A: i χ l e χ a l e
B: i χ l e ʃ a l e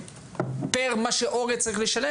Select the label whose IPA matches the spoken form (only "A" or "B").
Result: B